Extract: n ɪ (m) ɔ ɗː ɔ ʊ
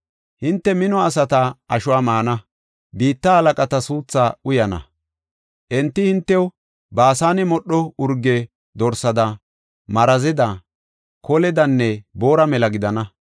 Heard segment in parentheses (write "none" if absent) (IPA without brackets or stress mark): m